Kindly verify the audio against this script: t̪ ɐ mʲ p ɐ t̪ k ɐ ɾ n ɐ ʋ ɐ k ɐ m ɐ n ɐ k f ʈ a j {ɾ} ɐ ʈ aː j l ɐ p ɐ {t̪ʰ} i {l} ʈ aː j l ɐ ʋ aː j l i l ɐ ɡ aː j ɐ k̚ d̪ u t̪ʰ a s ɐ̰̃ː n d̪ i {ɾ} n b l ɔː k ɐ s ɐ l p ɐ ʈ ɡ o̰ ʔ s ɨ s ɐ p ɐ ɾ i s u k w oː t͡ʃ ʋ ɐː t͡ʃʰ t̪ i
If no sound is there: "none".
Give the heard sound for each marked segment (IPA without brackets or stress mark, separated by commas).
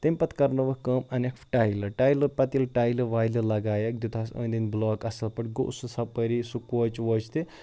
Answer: l, t̪, l, none